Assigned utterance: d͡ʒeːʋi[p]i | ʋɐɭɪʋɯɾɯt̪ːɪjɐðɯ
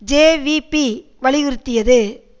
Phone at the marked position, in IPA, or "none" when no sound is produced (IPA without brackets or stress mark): p